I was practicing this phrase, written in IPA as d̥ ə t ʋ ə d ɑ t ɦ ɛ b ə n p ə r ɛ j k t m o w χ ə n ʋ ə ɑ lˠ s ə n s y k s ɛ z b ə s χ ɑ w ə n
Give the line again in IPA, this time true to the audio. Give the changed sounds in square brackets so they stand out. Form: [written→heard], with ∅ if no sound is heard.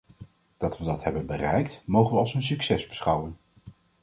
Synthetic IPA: d̥ [ə→ɑ] t ʋ ə d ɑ t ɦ ɛ b ə n [p→b] ə r ɛ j k t m o w χ ə n ʋ ə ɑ lˠ s ə n s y k s ɛ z b ə s χ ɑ w ə n